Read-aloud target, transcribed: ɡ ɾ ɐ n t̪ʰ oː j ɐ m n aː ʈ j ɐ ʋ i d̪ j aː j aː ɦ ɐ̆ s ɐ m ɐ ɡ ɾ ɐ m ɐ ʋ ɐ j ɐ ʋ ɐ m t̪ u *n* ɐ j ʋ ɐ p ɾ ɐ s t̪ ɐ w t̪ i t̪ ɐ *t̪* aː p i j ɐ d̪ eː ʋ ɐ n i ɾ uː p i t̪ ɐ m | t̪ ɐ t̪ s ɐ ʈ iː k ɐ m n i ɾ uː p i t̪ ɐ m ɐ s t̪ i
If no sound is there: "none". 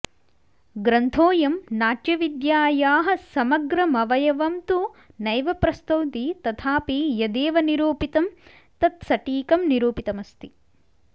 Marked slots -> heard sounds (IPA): n, t̪ʰ

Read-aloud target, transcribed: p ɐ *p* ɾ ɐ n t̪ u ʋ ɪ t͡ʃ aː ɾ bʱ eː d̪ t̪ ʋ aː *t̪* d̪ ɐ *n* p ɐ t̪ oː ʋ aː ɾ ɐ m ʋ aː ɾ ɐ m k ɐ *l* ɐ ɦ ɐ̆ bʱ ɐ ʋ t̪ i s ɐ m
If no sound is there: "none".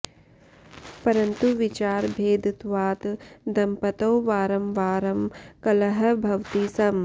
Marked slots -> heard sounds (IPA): none, t̪, m, l

